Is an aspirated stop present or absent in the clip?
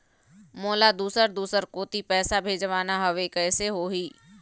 absent